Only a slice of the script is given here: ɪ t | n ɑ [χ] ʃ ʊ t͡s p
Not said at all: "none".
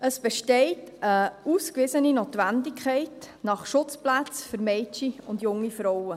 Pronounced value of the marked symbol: χ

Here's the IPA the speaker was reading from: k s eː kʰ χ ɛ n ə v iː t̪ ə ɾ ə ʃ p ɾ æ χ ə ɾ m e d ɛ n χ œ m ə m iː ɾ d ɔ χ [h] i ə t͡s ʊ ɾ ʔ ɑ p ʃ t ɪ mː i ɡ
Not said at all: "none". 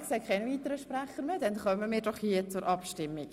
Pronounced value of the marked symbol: h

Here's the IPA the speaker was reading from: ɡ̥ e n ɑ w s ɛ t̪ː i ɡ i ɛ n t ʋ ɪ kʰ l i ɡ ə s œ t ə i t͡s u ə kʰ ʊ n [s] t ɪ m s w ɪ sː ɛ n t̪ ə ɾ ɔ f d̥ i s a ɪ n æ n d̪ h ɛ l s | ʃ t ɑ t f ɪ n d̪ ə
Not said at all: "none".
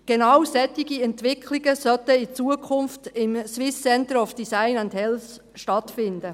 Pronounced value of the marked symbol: f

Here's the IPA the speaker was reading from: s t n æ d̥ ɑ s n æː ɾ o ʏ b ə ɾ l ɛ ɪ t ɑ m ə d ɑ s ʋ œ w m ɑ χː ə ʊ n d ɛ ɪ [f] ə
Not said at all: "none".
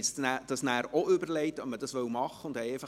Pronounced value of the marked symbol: f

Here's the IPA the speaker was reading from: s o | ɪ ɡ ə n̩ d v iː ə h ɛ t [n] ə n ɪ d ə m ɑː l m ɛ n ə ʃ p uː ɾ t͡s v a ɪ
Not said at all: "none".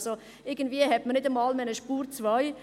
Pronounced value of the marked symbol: m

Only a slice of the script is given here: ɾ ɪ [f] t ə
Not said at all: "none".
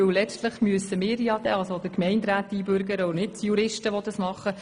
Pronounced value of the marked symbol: ʃ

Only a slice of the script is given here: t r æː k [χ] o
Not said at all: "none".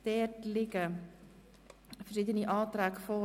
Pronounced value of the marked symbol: f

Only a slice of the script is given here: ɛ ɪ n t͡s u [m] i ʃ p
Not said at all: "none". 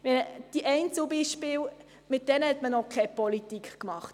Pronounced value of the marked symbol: b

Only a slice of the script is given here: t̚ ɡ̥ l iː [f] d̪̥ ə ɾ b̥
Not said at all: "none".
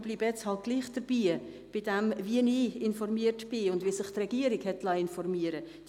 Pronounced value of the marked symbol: χ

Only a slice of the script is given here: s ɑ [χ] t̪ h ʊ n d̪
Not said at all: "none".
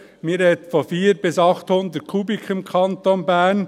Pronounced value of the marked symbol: χ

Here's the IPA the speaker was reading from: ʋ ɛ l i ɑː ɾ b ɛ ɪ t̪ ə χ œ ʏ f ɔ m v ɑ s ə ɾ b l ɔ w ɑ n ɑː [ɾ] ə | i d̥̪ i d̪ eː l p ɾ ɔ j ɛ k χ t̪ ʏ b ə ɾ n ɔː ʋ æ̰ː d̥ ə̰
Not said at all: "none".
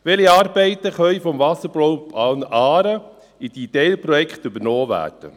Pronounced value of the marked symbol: ɾ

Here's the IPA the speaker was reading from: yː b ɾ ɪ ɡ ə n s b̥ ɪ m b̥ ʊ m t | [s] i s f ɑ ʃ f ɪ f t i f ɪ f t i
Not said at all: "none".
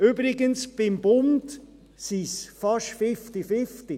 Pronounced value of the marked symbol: s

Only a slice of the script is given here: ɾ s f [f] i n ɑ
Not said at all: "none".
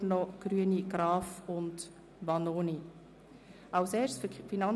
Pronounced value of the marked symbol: f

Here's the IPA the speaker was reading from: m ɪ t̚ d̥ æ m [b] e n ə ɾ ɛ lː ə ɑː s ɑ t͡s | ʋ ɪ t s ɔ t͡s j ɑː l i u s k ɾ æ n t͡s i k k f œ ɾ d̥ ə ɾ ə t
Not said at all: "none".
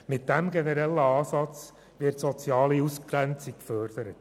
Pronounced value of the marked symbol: ɡ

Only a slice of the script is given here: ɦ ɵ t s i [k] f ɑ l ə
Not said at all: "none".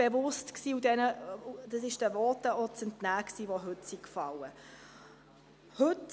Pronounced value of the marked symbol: k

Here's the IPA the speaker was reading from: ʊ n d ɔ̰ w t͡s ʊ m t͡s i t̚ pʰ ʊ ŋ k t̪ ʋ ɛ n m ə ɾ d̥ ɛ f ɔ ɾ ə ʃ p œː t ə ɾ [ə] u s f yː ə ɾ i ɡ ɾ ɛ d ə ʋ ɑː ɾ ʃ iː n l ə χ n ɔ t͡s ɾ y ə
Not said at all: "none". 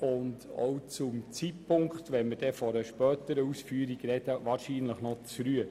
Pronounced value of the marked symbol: ə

